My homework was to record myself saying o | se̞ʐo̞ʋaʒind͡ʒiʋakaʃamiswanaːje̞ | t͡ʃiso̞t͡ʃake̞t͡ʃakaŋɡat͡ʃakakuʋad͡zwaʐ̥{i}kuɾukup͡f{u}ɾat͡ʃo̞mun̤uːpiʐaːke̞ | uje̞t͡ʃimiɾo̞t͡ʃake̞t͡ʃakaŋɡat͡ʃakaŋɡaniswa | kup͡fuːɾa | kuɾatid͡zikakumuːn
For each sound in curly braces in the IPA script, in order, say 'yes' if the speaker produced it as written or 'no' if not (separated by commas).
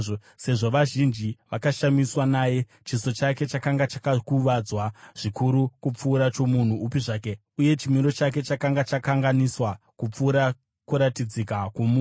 yes, no